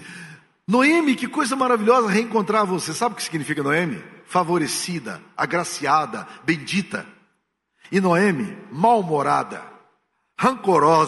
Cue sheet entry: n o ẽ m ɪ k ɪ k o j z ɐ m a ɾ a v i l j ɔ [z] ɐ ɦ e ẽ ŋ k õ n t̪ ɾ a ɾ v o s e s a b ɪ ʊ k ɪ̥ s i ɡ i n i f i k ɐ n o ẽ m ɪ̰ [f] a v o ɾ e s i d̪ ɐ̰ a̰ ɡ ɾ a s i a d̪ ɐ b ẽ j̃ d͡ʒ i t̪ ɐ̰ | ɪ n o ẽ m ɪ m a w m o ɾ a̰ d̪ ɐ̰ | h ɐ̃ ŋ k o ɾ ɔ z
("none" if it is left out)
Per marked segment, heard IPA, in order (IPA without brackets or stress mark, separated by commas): z, f